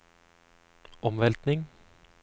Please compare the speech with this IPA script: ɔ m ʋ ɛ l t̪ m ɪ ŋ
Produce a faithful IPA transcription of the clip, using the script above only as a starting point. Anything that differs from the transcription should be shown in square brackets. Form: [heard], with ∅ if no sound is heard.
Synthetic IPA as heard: ɔ m ʋ ɛ l t̪ [n] ɪ ŋ